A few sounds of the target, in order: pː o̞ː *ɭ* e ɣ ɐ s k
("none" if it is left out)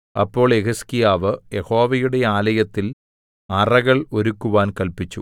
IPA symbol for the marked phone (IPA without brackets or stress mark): ɭ